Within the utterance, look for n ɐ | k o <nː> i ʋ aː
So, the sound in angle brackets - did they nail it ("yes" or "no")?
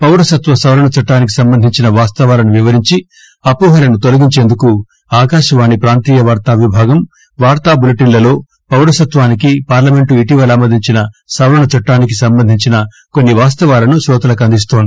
yes